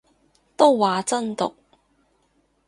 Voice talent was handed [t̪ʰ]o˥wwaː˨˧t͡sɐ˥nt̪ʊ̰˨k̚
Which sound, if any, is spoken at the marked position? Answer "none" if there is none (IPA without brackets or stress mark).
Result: t̪